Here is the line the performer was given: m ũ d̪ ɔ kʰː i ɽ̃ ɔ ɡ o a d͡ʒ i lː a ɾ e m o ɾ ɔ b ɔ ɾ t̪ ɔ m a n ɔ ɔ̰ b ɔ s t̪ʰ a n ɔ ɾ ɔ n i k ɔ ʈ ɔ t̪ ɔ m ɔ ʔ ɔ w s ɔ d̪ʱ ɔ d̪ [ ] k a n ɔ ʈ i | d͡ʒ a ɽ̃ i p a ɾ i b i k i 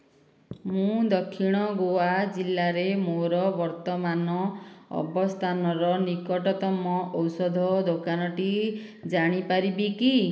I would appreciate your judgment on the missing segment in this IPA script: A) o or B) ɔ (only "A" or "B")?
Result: A